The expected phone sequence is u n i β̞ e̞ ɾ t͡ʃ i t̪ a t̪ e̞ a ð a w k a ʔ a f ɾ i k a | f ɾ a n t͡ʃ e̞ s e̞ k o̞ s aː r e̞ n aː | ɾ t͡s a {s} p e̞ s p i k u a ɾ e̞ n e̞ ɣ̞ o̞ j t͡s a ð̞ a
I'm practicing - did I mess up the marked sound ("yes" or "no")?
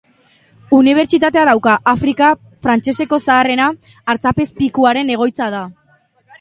yes